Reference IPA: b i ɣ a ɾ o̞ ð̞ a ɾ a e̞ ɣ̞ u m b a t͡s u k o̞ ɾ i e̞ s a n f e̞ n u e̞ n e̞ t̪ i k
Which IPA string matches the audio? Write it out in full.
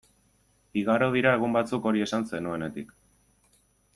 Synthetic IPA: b i ɣ a ɾ o̞ ð̞ i ɾ a e̞ ɣ̞ u m b a t͡s u k o̞ ɾ i e̞ s a n s e̞ n u e̞ n e̞ t̪ i k